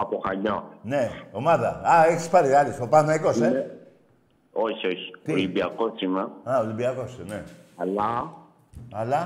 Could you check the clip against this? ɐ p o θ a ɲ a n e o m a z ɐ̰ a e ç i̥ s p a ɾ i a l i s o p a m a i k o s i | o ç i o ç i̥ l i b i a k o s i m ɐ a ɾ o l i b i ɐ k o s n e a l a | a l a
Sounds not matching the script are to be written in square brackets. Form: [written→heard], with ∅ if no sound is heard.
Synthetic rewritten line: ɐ p o [θ→x] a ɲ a n e o m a [z→ð] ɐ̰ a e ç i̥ s p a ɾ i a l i s o p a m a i k o s [i→e] | o ç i o ç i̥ l i b i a k o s i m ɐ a [ɾ→∅] o l i b i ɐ k o s n e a l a | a l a